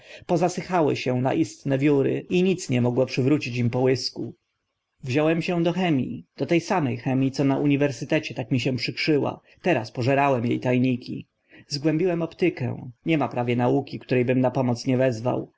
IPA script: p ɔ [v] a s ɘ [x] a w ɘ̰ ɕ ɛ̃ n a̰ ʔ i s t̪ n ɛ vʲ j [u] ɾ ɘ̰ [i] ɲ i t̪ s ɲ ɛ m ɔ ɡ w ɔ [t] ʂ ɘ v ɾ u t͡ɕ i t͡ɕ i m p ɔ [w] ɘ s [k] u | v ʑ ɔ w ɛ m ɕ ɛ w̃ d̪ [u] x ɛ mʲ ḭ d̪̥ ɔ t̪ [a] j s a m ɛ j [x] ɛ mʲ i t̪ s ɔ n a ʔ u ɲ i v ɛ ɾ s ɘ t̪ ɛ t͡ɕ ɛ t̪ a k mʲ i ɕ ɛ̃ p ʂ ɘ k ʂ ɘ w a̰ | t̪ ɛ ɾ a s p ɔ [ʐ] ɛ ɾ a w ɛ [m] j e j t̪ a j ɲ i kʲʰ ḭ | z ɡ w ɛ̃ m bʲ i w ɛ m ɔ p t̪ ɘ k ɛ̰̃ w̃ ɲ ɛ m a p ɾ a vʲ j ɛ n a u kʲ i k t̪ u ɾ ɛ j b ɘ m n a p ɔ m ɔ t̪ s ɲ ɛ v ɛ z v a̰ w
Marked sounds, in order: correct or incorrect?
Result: incorrect, correct, correct, correct, incorrect, correct, correct, incorrect, incorrect, correct, correct, correct

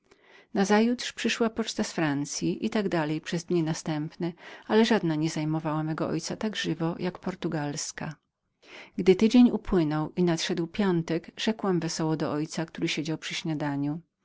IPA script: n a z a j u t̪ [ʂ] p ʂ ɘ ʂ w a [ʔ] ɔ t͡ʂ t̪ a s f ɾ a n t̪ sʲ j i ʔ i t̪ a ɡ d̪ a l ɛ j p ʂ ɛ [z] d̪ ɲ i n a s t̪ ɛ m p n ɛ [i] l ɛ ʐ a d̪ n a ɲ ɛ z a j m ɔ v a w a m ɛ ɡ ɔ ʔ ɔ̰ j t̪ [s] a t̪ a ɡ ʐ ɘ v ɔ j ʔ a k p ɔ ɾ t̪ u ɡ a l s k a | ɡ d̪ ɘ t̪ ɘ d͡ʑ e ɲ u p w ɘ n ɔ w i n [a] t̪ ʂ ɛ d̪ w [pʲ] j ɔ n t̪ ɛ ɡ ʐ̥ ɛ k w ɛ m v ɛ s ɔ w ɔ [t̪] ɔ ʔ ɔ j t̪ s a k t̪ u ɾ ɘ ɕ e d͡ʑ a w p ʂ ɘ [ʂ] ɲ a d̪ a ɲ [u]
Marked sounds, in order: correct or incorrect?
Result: correct, incorrect, correct, incorrect, correct, correct, correct, incorrect, incorrect, correct

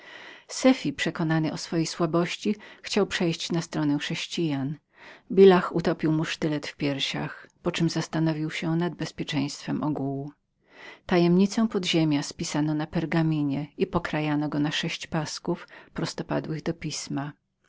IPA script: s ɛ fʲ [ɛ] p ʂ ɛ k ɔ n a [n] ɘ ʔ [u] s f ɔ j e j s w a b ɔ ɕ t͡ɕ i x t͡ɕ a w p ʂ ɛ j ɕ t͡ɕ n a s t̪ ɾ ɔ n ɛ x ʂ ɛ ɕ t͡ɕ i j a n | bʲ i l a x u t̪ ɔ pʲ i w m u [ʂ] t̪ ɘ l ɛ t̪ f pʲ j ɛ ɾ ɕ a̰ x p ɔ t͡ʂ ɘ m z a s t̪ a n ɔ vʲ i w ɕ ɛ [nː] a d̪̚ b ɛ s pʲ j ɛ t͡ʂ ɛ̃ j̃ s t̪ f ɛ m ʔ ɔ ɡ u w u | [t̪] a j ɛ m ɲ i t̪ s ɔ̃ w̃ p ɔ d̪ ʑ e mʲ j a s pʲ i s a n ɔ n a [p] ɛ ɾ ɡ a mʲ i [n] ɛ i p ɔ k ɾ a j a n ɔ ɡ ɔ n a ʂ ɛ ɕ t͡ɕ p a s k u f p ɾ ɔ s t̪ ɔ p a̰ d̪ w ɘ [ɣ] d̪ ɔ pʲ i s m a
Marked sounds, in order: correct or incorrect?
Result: incorrect, correct, incorrect, correct, incorrect, correct, correct, incorrect, correct

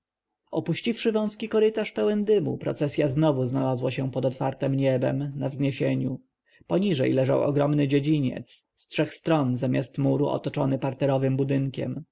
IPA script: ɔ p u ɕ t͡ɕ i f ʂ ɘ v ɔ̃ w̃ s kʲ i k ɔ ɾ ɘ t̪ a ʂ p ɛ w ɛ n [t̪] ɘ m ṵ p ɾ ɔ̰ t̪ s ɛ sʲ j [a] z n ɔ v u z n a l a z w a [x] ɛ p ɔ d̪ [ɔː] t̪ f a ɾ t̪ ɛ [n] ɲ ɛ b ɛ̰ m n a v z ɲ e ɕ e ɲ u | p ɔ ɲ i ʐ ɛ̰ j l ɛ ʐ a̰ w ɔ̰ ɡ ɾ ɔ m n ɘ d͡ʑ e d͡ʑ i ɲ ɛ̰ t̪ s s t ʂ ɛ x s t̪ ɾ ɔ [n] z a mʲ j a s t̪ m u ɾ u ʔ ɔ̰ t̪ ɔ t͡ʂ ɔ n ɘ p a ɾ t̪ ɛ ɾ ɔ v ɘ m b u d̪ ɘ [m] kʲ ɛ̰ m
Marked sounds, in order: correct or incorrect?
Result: incorrect, correct, incorrect, incorrect, incorrect, correct, incorrect

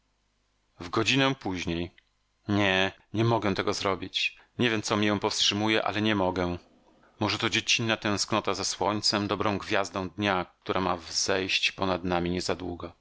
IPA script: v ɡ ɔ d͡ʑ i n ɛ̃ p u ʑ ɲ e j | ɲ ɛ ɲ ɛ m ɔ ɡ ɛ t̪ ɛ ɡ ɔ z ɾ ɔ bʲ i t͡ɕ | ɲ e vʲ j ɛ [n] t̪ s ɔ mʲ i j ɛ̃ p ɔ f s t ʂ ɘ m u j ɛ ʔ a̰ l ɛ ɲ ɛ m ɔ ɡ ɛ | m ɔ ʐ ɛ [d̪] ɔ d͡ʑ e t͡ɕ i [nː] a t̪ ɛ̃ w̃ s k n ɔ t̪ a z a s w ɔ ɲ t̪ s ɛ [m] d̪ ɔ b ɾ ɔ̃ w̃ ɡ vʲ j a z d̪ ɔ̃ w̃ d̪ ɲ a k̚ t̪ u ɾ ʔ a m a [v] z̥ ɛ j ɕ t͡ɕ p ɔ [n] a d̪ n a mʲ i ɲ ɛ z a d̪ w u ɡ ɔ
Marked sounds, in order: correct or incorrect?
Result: incorrect, incorrect, correct, correct, correct, correct

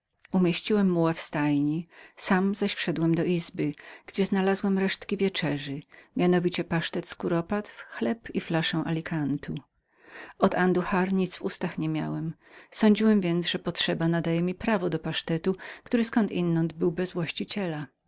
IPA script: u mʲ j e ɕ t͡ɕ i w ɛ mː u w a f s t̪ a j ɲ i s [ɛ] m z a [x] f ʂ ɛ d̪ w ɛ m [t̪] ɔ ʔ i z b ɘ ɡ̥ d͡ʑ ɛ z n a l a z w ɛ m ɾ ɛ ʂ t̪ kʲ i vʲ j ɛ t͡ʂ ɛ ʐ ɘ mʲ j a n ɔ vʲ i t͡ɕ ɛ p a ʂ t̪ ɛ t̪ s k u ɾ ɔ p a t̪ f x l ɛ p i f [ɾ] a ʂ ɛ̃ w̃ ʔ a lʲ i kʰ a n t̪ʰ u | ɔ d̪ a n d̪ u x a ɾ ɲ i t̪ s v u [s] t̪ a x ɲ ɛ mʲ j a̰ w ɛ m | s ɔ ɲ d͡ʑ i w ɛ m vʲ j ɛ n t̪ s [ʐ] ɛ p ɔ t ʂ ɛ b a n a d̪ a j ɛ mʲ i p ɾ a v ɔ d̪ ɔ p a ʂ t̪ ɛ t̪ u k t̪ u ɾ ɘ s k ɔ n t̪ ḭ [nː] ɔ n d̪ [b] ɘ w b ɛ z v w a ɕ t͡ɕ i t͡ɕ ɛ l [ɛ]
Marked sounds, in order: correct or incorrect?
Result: incorrect, incorrect, incorrect, incorrect, correct, correct, correct, correct, incorrect

